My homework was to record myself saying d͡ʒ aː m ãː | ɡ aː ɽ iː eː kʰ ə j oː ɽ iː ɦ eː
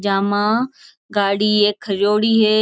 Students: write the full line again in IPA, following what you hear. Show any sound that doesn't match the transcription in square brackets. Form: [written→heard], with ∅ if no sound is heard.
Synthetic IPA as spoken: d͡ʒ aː m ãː | ɡ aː ɽ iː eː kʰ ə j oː ɽ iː ɦ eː